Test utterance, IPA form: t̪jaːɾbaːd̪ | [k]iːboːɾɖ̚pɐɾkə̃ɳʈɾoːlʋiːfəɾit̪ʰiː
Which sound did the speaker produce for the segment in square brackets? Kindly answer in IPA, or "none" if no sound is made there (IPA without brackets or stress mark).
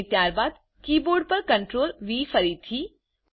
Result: k